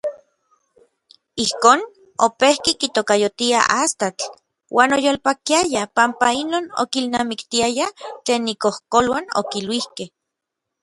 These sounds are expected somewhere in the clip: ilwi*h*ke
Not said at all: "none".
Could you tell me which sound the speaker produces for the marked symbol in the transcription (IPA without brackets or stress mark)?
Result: h